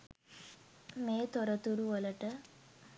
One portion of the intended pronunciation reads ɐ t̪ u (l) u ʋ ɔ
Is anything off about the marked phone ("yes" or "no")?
yes